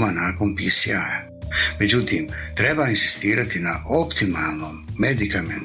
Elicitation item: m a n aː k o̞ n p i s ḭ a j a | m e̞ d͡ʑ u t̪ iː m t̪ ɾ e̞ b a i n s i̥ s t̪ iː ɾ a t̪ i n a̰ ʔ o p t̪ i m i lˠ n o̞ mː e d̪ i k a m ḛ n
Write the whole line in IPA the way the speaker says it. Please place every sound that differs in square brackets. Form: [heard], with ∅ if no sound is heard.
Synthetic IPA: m a n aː k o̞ n p i s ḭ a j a | m e̞ d͡ʑ u t̪ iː m t̪ ɾ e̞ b a i n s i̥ s t̪ iː ɾ a t̪ i n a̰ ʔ o p t̪ i m [a] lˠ n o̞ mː e d̪ i k a m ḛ n